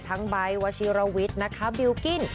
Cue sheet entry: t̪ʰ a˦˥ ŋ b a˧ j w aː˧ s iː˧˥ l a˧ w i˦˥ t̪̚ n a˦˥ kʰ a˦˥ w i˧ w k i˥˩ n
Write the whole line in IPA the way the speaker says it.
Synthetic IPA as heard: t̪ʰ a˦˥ ŋ b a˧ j w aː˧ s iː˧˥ ɾ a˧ w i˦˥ t̪̚ n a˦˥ kʰ a˦˥ b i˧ w k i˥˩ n